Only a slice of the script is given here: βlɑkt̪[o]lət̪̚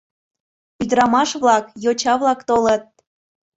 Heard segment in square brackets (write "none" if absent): o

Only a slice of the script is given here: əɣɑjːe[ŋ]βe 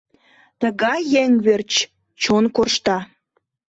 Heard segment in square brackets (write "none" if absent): ŋ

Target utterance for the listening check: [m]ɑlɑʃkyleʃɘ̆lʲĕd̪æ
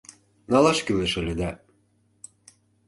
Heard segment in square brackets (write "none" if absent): n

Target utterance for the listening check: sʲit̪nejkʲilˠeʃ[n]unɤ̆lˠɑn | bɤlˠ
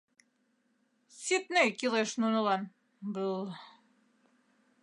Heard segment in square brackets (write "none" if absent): n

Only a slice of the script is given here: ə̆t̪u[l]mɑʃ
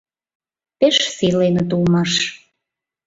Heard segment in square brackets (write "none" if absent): l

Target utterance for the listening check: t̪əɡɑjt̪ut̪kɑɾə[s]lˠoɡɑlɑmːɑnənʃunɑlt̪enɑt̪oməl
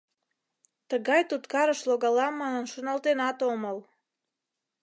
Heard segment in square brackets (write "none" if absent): ʃ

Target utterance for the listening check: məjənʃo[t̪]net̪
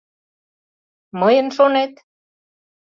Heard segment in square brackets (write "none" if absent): none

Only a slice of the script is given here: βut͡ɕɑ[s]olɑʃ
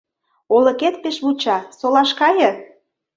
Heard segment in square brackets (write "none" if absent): s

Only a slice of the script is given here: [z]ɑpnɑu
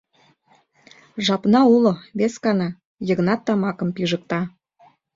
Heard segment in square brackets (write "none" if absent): ʒ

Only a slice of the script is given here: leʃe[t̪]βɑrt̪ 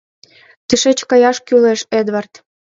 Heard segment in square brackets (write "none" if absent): d̪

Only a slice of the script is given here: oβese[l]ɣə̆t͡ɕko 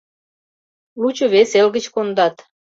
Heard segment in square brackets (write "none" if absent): l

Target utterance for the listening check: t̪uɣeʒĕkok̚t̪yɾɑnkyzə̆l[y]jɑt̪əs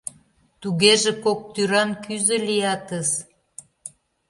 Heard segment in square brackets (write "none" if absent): i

